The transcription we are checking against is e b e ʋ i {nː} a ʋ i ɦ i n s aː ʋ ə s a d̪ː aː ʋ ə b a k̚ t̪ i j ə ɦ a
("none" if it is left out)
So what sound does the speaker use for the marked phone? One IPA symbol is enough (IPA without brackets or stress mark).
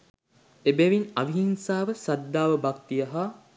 n